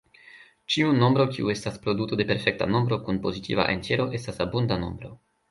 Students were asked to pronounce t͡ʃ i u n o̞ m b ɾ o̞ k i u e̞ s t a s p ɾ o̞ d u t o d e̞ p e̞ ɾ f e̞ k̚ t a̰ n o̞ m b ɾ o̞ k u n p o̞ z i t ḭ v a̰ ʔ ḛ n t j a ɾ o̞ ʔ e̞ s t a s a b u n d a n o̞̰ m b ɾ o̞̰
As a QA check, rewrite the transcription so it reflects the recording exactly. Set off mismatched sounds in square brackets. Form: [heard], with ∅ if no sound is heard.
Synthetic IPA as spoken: t͡ʃ i u n o̞ m b ɾ o̞ k i u e̞ s t a s p ɾ o̞ d u t o d e̞ p e̞ ɾ f e̞ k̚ t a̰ n o̞ m b ɾ o̞ k u n p o̞ z i t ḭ v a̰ ʔ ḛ n t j [e] ɾ o̞ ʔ e̞ s t a s a b u n d a n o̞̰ m b ɾ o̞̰